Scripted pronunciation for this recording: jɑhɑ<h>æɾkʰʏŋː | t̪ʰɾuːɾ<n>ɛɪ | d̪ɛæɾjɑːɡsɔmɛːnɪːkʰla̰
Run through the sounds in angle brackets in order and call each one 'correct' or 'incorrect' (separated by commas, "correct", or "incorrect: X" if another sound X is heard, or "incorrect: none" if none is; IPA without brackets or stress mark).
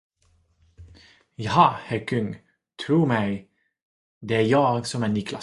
correct, incorrect: m